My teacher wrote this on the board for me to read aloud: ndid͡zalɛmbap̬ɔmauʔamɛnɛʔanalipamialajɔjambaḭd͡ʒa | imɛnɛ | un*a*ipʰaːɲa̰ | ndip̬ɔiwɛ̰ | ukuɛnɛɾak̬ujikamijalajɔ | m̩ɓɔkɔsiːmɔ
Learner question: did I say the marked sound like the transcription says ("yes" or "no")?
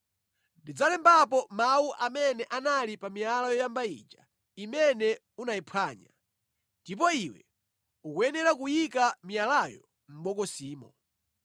yes